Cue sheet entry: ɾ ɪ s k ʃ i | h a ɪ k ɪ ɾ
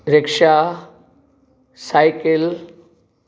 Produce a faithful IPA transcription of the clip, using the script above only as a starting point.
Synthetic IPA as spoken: ɾ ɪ k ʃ a | s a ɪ k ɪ l